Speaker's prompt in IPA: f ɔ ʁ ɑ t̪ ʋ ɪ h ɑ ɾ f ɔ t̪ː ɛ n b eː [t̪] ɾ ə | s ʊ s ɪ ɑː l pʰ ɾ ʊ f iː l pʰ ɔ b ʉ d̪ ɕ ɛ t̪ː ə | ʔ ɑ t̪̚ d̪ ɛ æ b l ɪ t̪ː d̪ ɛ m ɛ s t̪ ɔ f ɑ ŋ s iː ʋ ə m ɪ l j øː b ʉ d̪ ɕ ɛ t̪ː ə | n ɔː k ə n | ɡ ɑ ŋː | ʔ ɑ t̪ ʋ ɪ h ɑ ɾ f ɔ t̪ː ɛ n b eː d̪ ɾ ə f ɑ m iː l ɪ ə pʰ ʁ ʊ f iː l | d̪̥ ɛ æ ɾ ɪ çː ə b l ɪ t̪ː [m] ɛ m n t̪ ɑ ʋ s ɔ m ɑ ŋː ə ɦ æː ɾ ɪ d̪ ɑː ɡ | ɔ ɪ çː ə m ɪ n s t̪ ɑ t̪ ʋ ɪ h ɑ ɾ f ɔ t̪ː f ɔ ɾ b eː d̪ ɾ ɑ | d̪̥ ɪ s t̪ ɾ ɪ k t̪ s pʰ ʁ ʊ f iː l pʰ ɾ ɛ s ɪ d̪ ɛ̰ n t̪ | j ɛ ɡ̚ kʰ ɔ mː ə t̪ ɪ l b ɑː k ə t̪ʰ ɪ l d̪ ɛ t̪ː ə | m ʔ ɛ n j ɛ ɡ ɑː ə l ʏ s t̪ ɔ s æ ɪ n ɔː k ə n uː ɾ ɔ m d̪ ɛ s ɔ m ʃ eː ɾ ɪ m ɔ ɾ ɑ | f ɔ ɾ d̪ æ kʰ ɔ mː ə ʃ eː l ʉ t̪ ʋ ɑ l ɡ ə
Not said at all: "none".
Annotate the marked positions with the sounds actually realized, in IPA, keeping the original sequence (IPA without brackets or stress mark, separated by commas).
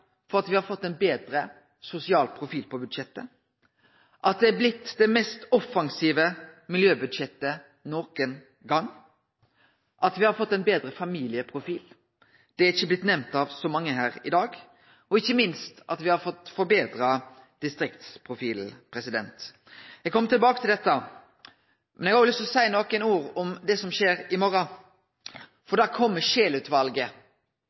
d̪, n